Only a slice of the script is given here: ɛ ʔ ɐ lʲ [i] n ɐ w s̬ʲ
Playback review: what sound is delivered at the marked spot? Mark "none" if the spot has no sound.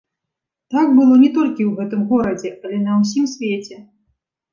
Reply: ɛ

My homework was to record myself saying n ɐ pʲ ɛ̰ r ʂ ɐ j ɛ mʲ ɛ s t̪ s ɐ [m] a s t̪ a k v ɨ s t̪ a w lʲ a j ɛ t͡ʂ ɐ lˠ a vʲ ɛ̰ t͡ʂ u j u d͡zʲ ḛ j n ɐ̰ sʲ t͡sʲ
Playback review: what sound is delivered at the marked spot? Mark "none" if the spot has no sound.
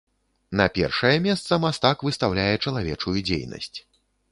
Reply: m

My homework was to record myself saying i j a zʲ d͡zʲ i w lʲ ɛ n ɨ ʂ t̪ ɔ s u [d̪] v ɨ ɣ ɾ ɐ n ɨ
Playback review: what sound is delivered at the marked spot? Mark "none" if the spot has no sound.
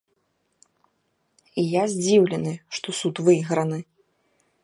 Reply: t̪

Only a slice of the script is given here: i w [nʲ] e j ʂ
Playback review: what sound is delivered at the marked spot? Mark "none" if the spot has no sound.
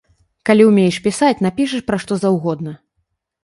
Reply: mʲ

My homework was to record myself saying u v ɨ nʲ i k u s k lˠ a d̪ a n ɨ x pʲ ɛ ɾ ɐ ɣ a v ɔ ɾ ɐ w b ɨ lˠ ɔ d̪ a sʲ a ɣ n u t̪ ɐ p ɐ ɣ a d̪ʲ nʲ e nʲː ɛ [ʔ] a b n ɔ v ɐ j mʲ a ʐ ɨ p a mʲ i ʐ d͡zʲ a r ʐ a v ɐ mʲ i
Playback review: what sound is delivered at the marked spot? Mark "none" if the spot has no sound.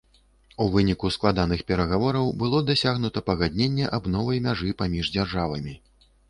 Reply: ʔ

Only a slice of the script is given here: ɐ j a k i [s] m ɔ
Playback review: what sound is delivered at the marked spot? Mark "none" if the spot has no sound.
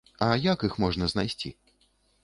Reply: x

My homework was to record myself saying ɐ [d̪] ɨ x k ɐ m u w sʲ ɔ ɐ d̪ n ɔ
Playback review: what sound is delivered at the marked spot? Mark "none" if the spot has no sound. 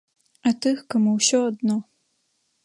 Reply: t̪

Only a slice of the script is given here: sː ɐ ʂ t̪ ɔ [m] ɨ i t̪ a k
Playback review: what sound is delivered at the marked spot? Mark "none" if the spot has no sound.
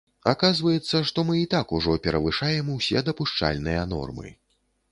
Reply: m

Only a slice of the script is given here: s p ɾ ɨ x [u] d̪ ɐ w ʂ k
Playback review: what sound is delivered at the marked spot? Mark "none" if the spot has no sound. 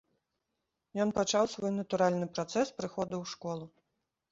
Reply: ɔ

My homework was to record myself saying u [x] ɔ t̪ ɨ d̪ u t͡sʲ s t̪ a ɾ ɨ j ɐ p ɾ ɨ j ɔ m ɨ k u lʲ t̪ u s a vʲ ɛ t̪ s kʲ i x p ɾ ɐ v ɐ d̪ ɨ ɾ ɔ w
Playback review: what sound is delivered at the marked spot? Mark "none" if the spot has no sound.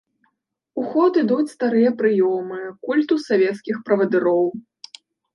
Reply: x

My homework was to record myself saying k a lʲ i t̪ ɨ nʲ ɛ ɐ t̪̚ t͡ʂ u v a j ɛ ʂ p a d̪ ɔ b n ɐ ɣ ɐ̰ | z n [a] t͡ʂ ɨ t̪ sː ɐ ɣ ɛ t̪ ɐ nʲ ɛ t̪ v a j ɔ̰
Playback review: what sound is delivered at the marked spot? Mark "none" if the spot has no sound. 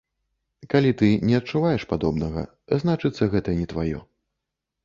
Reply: a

